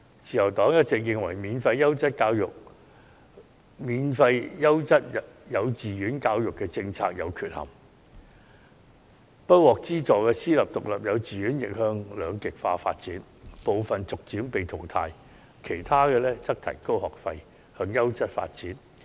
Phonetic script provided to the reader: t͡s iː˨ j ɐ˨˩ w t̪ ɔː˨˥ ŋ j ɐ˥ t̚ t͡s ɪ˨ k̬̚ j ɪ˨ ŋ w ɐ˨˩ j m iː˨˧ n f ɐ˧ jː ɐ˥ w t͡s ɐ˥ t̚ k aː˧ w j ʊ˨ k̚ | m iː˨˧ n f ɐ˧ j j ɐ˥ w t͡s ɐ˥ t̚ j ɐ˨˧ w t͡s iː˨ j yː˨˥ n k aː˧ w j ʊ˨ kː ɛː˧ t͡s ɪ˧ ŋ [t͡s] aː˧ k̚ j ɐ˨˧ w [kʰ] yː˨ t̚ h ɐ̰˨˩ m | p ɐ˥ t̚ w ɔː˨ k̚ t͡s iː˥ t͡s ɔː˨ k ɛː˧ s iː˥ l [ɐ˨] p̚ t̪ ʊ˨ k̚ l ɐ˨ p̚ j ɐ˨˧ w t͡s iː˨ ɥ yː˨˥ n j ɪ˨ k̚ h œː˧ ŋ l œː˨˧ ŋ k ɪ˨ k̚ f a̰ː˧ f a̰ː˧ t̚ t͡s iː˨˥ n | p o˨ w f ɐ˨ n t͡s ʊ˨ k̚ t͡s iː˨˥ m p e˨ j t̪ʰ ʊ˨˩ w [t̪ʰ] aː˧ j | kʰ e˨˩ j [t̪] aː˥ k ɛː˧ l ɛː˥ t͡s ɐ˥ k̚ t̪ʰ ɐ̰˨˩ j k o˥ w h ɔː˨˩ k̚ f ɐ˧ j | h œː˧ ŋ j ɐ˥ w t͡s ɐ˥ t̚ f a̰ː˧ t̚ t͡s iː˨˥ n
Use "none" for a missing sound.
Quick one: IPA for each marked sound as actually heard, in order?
t͡sʰ, kʰ, ɐ˨, t̪ʰ, t̪ʰ

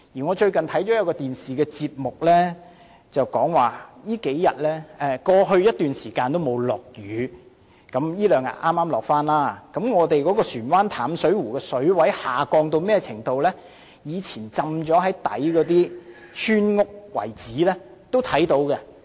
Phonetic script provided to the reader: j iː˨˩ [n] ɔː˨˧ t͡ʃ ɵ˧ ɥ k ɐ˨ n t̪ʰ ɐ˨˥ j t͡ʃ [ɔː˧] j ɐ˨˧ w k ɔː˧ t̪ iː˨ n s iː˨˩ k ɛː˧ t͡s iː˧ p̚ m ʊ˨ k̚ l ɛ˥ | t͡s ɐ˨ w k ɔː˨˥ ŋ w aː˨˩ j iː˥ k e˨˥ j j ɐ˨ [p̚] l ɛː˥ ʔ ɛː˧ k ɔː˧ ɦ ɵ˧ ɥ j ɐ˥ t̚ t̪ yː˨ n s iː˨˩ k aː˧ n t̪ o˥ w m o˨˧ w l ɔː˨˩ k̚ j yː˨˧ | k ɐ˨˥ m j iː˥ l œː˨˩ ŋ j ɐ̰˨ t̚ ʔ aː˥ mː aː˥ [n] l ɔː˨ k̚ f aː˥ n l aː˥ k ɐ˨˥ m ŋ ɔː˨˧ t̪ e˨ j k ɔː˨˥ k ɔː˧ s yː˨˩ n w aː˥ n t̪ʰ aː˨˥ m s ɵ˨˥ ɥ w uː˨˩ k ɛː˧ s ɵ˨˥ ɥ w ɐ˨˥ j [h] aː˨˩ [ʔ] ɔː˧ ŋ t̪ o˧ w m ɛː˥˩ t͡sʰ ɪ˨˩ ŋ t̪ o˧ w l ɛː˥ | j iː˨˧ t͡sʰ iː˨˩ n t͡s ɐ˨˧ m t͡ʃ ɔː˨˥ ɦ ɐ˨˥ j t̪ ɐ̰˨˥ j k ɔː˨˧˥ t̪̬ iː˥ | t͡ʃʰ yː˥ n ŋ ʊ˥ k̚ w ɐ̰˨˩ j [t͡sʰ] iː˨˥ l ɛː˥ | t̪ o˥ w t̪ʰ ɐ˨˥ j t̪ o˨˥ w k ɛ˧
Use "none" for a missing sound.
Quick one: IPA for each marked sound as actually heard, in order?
ŋ, ɔː˨˥, t̚, m, h, k, t͡s

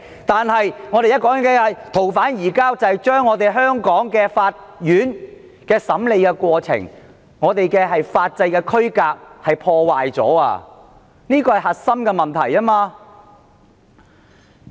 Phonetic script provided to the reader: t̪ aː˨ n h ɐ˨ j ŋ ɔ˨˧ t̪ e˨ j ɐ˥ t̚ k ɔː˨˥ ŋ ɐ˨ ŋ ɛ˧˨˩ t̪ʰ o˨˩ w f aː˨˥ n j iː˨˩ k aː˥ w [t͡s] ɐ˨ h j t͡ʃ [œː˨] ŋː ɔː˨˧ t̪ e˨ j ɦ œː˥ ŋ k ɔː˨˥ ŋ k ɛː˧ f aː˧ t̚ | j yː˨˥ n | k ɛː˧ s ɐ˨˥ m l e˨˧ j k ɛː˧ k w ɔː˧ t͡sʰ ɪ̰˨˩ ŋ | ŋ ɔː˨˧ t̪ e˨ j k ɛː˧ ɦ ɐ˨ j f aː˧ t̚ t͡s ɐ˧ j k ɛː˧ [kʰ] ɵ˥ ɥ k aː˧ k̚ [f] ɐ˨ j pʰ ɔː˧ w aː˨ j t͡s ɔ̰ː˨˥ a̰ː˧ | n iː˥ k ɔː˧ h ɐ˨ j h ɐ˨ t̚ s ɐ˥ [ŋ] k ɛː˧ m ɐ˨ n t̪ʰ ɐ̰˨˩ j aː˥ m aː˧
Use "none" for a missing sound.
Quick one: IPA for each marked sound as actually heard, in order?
t͡s, œː˥, kʰ, h, m

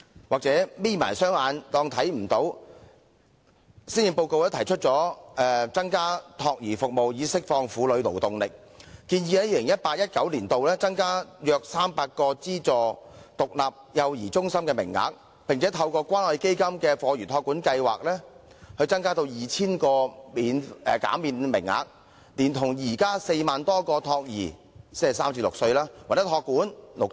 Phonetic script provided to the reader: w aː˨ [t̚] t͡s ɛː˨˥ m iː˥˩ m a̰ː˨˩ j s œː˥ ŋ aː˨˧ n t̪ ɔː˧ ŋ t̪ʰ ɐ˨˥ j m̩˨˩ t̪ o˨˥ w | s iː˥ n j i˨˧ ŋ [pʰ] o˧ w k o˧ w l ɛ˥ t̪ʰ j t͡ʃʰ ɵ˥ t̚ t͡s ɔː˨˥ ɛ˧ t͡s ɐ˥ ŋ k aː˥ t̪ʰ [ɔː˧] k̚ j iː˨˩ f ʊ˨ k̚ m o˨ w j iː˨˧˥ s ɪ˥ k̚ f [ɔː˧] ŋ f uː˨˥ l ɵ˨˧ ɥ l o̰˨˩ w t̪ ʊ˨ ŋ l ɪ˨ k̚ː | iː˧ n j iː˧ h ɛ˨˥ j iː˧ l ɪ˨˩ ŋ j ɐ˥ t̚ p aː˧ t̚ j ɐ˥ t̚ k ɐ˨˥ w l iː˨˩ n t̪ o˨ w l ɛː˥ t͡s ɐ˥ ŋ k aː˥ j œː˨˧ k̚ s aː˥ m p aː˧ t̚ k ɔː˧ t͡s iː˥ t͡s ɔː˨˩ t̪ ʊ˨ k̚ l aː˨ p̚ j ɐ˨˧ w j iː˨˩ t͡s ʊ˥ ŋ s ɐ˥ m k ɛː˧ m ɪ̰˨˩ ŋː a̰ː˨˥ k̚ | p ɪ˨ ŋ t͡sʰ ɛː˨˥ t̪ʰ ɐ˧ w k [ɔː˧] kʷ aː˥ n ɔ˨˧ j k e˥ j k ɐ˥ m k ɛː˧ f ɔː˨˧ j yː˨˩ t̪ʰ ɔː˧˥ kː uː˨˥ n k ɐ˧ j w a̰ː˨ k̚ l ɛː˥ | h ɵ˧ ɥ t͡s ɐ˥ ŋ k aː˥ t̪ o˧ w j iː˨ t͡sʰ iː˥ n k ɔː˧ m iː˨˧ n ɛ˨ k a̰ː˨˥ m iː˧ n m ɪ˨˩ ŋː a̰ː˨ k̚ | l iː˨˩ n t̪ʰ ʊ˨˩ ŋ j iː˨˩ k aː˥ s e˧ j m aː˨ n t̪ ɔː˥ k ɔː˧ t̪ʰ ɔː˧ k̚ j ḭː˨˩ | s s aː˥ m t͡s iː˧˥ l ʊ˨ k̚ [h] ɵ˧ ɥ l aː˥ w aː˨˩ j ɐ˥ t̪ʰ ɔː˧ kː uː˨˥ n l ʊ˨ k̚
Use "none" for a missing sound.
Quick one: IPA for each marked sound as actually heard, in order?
k̚, p, ɔː˧, ɔː˧, ɔː˧, s

